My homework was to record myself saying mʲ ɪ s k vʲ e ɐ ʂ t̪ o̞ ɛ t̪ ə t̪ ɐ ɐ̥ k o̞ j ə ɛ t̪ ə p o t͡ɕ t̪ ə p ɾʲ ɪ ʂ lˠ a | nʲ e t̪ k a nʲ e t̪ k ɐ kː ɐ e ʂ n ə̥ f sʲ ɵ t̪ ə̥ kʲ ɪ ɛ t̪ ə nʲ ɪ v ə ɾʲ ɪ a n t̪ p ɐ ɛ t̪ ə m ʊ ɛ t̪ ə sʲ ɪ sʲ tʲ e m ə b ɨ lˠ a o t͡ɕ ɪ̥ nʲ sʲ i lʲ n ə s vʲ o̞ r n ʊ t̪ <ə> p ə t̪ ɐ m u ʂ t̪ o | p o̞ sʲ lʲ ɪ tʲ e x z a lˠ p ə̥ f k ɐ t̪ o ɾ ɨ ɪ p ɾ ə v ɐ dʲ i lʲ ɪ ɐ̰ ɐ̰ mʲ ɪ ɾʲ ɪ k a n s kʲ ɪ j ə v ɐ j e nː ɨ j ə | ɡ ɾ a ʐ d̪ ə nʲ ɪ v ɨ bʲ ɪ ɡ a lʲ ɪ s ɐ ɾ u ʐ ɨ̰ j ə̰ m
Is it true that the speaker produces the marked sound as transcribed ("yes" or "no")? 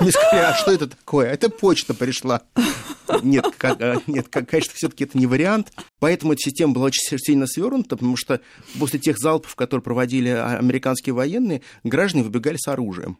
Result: yes